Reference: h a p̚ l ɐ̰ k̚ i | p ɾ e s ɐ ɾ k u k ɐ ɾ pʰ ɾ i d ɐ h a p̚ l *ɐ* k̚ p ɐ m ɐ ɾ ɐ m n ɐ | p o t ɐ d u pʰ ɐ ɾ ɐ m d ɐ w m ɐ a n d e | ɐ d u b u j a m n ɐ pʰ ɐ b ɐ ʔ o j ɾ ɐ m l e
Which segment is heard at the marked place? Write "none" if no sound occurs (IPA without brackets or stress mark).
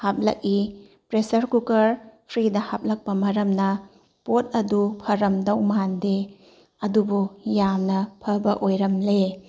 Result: ɐ